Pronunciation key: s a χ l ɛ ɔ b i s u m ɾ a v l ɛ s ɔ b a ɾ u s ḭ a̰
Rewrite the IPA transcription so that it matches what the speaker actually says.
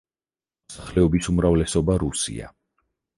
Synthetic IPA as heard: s a χ l ɛ ɔ b i s u m ɾ a v l ɛ s ɔ b a ɾ u s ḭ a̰